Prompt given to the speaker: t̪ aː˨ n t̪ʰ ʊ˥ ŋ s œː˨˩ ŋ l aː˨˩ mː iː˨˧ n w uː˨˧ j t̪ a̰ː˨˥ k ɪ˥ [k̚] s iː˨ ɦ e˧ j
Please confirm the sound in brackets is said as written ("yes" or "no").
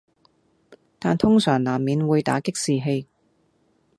yes